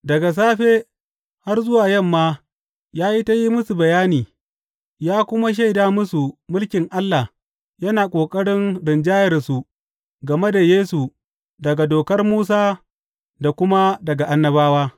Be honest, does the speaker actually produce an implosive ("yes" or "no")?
no